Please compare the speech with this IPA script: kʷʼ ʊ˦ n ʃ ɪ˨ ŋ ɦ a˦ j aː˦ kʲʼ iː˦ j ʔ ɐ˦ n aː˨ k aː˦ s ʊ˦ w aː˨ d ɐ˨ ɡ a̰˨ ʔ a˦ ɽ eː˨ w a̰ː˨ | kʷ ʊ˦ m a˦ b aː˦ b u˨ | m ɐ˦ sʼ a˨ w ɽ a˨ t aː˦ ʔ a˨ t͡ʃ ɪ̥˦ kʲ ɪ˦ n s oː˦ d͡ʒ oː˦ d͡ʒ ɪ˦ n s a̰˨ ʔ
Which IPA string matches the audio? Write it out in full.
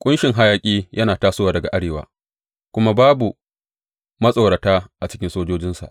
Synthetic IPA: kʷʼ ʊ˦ n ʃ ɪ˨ ŋ ɦ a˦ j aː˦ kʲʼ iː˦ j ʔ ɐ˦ n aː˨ t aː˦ s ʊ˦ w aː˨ d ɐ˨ ɡ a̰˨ ʔ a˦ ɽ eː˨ w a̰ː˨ | kʷ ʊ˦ m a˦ b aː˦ b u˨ | m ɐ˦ sʼ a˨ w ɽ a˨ t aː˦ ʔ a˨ t͡ʃ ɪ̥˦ kʲ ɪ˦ n s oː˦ d͡ʒ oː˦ d͡ʒ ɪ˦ n s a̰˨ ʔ